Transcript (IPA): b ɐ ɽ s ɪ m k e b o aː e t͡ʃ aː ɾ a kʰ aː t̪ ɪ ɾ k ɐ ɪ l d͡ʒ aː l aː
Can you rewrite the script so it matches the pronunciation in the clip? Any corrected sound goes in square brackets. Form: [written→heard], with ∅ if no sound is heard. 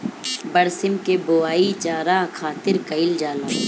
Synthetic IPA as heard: b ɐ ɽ s ɪ m k e b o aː [e→i] t͡ʃ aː ɾ a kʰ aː t̪ ɪ ɾ k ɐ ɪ l d͡ʒ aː l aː